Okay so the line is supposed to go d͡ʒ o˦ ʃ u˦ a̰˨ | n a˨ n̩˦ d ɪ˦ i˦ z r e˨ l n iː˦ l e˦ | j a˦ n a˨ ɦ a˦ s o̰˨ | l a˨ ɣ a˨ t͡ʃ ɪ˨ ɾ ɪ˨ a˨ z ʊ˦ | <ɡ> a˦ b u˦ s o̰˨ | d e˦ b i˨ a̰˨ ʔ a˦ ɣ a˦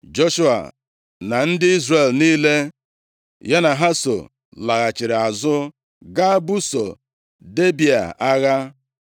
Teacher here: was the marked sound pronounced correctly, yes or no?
yes